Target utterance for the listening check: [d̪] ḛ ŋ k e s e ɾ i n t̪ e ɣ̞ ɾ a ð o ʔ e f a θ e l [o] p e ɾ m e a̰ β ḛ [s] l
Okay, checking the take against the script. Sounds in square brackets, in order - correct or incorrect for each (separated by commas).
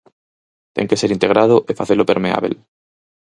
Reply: incorrect, correct, incorrect